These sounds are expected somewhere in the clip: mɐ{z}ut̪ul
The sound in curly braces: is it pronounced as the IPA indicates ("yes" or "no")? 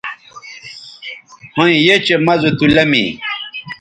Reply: yes